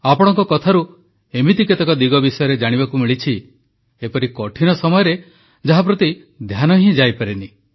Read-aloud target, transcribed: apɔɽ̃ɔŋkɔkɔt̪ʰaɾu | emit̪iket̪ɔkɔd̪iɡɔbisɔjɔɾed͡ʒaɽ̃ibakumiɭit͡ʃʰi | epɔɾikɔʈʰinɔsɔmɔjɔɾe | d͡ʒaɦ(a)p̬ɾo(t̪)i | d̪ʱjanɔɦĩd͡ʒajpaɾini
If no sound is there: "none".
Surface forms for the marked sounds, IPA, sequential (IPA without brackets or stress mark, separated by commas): a, t̪